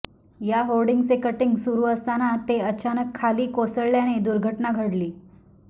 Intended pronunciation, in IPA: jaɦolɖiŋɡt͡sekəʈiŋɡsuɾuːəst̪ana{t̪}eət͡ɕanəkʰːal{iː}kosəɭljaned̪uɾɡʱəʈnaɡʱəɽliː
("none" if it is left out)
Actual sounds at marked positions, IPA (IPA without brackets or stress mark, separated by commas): t̪, iː